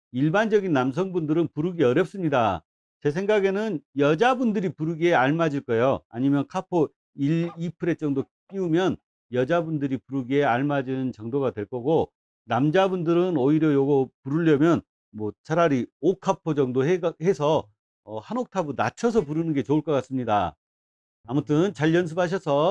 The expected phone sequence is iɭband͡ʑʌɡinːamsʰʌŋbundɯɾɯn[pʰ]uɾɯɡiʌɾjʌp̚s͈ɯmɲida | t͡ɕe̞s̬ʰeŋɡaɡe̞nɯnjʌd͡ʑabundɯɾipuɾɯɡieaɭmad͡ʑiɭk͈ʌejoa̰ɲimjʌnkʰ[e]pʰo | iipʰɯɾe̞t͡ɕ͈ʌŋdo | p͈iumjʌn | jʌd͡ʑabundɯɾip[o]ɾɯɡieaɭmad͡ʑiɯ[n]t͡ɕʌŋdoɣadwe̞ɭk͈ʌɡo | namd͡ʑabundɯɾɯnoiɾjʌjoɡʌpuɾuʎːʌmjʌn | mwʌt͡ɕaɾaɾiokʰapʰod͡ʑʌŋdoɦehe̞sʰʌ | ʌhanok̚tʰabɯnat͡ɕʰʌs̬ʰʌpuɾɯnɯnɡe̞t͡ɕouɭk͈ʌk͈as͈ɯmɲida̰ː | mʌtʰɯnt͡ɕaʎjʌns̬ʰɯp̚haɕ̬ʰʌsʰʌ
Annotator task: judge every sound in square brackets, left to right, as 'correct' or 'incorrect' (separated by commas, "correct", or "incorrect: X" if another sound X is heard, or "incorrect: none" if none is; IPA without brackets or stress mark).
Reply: incorrect: p, incorrect: a, incorrect: u, correct